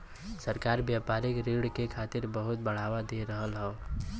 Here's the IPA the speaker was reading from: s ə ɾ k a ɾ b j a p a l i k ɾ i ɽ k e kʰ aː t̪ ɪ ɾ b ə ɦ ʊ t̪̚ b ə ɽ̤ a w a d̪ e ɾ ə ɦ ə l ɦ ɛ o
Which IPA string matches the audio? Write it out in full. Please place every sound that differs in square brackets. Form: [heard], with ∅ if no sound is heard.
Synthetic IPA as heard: s ə ɾ k a ɾ b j a p a [ɾ] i k ɾ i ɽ k e kʰ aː t̪ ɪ ɾ b ə ɦ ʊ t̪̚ b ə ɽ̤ a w a d̪ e ɾ ə ɦ ə l ɦ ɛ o